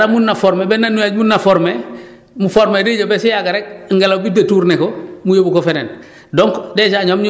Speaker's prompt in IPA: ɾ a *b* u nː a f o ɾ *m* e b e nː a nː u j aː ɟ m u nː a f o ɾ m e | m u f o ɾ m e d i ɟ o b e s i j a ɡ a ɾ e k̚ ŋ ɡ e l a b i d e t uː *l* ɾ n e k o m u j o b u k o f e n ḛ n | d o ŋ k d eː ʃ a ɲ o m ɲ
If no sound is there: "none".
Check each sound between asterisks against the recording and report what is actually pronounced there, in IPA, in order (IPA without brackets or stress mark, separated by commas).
m, m, none